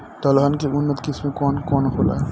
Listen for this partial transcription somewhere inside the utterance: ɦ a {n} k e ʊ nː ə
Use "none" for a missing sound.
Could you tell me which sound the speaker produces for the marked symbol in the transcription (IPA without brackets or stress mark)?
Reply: n